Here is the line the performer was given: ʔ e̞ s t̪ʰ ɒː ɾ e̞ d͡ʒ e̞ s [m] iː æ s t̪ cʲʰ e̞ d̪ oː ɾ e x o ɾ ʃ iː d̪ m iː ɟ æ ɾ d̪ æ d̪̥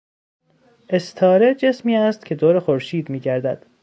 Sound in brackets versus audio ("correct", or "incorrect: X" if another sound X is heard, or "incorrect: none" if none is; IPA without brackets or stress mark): correct